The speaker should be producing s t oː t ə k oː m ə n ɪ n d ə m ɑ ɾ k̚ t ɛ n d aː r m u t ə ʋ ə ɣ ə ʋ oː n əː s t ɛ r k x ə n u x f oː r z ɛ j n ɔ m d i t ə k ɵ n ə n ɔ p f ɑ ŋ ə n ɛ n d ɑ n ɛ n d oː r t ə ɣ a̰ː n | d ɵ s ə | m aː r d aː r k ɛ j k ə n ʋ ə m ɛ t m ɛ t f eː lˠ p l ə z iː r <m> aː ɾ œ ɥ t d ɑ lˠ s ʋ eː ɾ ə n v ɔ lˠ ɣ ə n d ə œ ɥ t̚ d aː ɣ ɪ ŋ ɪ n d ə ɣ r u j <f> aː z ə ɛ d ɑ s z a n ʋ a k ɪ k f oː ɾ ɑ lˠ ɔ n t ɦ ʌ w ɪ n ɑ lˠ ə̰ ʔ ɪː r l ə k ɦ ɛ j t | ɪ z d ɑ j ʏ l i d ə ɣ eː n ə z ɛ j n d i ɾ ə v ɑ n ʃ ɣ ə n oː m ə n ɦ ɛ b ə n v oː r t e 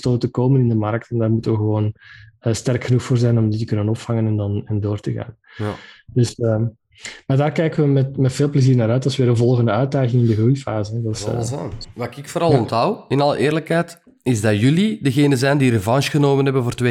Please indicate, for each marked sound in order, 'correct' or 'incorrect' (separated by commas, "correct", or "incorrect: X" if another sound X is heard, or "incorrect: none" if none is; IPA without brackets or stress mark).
incorrect: n, correct